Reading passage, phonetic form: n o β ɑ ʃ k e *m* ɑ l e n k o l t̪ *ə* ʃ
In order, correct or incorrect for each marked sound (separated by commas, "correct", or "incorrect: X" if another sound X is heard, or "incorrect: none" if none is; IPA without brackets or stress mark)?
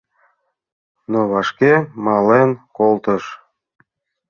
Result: correct, correct